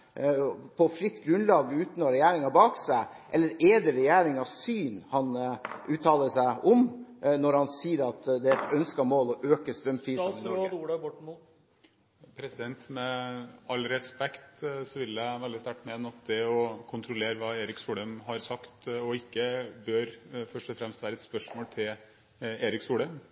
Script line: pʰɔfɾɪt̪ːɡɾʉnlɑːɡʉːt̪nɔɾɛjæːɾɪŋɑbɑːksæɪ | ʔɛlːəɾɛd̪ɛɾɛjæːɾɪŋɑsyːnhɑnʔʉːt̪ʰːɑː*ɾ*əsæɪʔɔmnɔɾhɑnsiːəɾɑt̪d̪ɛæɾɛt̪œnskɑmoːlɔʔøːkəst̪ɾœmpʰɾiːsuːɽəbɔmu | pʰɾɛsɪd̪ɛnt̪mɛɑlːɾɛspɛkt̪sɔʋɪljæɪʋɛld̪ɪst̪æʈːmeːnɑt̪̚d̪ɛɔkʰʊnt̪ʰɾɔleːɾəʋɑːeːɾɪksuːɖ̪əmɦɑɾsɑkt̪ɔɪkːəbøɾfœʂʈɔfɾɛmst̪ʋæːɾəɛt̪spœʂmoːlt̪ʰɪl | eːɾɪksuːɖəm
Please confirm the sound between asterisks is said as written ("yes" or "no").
no